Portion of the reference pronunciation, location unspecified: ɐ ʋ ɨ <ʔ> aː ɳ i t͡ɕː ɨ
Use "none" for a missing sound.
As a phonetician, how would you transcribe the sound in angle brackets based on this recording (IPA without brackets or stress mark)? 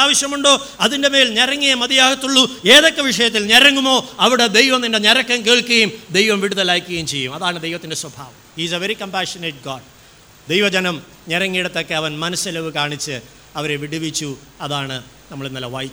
k